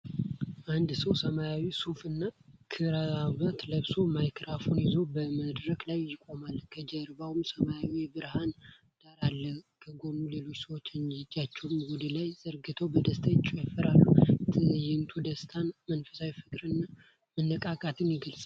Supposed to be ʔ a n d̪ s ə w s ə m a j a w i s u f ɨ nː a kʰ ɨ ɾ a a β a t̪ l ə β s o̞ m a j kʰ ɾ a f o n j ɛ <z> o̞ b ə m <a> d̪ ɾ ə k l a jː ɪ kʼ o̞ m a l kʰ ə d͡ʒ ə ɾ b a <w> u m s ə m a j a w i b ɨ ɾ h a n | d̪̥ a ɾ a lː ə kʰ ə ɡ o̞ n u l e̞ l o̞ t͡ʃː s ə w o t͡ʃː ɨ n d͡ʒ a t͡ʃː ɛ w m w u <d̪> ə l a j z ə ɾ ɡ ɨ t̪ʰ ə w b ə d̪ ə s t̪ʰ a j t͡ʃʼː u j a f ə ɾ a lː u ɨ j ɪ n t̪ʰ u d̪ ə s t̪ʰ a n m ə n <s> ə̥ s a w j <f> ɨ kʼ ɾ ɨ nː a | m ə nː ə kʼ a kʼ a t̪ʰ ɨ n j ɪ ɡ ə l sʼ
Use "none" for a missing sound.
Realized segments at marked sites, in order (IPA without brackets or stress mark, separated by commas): z, ə, w, d̪, f, f